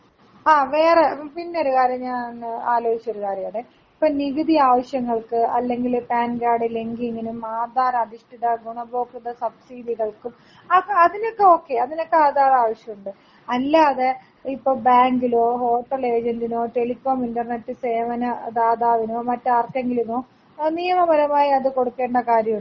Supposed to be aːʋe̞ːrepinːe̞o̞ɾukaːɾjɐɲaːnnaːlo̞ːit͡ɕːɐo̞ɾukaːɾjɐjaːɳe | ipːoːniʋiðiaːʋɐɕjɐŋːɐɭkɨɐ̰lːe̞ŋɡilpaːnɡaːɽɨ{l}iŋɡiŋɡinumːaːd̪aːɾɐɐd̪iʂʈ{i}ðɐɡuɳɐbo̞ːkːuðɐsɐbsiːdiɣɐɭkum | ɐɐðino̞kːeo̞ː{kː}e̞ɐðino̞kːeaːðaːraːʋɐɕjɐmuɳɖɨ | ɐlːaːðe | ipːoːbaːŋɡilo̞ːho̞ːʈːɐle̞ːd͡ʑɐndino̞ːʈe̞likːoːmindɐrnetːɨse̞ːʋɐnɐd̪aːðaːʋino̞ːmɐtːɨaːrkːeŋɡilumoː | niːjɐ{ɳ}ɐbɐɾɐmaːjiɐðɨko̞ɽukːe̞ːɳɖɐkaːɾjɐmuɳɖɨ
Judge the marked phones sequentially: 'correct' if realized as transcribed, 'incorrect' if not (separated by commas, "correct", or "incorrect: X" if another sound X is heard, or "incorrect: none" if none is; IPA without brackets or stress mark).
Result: correct, correct, correct, incorrect: m